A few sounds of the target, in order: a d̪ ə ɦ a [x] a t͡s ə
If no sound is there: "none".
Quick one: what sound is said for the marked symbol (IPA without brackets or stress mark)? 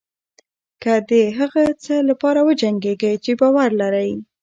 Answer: ɣ